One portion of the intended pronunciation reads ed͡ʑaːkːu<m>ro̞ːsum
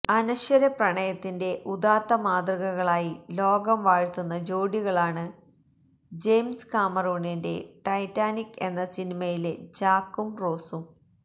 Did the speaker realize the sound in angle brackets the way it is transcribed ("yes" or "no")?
yes